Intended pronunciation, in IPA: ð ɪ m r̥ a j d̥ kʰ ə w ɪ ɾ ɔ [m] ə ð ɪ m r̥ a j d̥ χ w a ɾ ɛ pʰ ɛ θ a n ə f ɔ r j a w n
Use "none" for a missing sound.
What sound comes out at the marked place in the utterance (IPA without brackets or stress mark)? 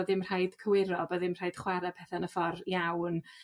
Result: b